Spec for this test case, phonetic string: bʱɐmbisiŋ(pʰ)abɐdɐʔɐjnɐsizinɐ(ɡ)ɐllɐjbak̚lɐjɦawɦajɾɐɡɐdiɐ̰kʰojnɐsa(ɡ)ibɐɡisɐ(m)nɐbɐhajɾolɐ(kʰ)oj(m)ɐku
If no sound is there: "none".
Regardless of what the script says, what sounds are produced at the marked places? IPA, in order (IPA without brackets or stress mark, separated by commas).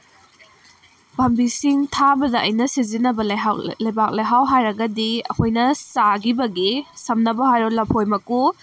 tʰ, b, ɡ, m, pʰ, m